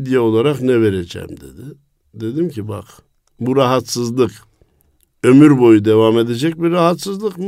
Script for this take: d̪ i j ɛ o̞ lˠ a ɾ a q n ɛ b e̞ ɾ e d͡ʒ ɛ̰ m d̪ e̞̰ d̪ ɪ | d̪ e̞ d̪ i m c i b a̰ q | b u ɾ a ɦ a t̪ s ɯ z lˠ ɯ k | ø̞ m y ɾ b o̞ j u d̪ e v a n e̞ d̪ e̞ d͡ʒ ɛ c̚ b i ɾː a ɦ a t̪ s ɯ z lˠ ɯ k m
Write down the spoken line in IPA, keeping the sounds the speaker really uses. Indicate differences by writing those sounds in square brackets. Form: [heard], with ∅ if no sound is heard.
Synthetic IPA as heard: d̪ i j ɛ o̞ lˠ a ɾ a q n ɛ [v] e̞ ɾ e d͡ʒ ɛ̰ m d̪ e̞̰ d̪ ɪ | d̪ e̞ d̪ i m c i b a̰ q | b u ɾ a ɦ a t̪ s ɯ z lˠ ɯ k | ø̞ m y ɾ b o̞ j u d̪ e v a [m] e̞ d̪ e̞ d͡ʒ ɛ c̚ b i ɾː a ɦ a t̪ s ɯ z lˠ ɯ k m